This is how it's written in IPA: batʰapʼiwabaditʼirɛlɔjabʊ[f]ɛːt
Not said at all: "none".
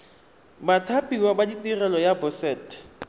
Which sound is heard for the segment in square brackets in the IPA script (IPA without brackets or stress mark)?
s